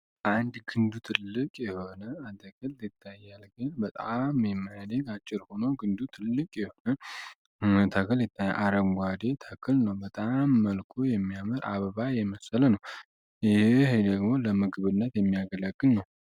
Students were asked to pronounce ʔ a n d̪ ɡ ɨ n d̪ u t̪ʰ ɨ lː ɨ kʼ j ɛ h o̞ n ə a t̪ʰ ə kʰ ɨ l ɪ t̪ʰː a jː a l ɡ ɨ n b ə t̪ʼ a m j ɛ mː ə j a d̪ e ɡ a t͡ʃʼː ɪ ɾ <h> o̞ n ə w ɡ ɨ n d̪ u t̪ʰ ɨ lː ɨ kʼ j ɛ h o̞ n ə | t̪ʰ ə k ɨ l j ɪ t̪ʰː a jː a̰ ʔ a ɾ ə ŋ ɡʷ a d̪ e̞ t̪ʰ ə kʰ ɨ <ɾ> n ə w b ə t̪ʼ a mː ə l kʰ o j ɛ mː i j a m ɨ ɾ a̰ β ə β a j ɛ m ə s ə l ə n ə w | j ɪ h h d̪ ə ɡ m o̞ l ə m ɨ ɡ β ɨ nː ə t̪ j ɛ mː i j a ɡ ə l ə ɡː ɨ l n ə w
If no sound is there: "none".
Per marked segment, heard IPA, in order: h, l

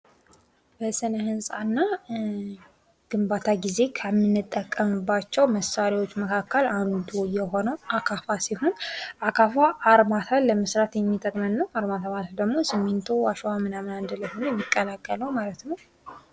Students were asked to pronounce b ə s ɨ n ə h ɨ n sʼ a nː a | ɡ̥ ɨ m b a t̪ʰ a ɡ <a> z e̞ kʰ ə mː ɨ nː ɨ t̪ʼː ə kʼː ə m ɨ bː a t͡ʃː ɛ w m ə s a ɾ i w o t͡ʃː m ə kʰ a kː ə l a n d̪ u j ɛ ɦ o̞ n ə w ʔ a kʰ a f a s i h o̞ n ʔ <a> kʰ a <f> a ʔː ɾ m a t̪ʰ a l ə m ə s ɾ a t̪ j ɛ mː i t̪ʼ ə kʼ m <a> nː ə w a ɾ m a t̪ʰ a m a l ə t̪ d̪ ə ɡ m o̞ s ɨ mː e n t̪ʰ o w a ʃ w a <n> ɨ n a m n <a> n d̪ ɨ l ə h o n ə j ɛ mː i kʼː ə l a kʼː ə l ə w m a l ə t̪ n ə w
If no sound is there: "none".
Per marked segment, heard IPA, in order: i, a, f, ə, m, a

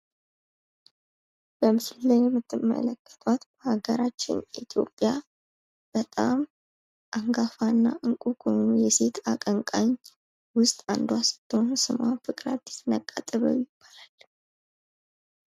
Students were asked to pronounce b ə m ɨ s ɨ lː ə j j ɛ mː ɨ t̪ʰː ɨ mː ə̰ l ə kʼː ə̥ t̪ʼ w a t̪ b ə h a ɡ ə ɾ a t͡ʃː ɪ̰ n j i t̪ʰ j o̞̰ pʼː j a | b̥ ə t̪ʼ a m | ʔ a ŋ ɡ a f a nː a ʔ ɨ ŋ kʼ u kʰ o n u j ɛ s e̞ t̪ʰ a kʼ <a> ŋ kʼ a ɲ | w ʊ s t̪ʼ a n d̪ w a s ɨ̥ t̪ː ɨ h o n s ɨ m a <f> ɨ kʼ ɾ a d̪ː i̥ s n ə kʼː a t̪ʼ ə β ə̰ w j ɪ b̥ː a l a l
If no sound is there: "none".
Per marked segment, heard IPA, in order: ə, f

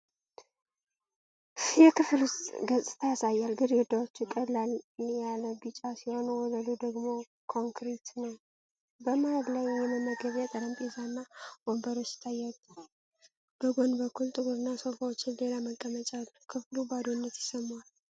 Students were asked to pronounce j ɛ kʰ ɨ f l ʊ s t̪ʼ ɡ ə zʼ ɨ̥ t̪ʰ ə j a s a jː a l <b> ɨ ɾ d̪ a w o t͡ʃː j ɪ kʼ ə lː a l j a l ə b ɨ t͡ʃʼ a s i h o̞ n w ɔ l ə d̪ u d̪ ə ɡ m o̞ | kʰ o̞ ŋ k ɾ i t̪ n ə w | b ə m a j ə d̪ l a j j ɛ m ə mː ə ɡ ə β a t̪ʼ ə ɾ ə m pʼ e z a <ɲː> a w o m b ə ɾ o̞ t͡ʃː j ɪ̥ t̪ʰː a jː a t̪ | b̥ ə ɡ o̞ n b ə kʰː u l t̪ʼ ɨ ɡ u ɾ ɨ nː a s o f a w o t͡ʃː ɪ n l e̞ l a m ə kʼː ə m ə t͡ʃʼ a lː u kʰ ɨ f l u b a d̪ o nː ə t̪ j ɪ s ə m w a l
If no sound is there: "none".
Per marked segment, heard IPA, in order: ɡ, nː

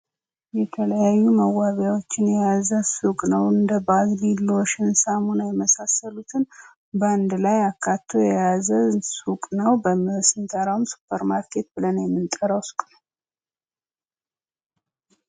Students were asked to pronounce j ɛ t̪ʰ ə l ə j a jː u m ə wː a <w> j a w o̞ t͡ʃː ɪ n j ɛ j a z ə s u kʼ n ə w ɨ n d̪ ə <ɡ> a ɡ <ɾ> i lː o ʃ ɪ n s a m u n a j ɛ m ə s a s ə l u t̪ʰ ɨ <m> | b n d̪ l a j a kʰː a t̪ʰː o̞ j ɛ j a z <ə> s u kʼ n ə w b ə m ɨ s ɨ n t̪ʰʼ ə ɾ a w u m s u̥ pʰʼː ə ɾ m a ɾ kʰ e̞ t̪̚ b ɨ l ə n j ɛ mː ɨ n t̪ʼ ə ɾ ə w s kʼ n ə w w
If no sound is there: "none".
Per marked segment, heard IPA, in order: β, b, l, n, ə

